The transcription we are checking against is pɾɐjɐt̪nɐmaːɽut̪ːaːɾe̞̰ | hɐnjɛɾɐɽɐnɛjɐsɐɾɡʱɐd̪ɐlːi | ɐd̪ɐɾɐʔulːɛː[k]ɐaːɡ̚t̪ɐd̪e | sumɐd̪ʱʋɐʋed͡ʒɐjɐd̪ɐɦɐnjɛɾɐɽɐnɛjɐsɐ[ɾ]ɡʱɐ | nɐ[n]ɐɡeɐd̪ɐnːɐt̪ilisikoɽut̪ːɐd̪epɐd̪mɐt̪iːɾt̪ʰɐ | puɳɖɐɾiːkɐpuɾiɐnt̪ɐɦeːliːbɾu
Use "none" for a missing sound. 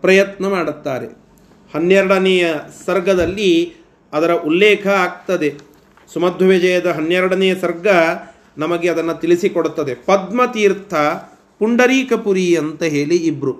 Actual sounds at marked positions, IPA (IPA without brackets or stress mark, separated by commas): kʰ, ɾ, m